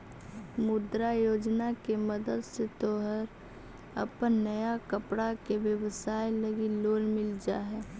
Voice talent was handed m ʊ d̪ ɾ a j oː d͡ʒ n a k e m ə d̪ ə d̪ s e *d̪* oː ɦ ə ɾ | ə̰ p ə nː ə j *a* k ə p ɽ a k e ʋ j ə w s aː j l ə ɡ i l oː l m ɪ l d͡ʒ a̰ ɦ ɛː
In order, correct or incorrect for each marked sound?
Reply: incorrect, correct

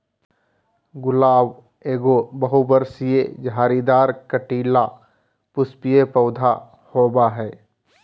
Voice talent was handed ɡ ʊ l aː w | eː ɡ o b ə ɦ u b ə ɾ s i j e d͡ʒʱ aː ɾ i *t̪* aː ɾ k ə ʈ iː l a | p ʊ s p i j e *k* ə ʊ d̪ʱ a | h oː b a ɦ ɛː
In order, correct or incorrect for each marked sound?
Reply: incorrect, incorrect

